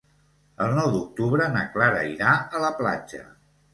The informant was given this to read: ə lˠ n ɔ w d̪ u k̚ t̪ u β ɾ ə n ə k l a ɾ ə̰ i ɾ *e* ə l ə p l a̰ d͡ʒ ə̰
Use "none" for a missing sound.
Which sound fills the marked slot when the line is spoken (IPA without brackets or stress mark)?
a